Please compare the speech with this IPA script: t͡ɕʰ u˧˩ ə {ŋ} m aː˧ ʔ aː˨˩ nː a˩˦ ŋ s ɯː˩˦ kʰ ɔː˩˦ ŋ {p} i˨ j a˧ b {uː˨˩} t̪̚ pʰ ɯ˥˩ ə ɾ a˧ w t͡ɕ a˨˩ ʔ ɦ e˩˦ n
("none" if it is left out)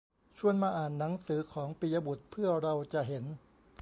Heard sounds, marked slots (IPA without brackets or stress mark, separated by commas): n, p, u˨˩